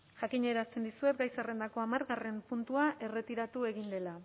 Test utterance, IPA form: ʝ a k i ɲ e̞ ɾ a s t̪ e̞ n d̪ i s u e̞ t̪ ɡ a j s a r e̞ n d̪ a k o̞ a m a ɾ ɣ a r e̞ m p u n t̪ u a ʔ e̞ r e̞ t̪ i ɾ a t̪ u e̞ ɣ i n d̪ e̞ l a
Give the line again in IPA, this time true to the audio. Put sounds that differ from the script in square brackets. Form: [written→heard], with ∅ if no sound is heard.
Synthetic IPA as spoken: ʝ a k i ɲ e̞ ɾ a s t̪ e̞ n d̪ i s u e̞ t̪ ɡ a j s a r e̞ n d̪ a k o̞ a m a ɾ ɣ a r e̞ m p u n t̪ u a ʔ e̞ r e̞ t̪ i ɾ a t̪ u e̞ ɣ i n d̪ e̞ l a